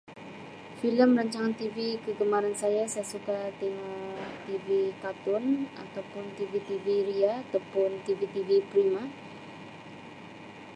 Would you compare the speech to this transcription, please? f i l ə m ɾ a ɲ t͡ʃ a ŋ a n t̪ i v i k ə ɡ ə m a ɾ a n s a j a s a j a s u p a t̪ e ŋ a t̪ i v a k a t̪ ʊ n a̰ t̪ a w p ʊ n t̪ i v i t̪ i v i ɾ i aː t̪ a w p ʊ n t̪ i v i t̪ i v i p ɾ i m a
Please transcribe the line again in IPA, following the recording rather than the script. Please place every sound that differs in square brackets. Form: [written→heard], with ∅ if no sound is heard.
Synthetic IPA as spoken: f i l ə m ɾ a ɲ t͡ʃ a ŋ a n t̪ i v i k ə ɡ ə m a ɾ a n s a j a s a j a s u [p→k] a t̪ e ŋ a t̪ i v [a→i] k a t̪ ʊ n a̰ t̪ a w p ʊ n t̪ i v i t̪ i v i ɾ i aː t̪ a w p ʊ n t̪ i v i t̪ i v i p ɾ i m a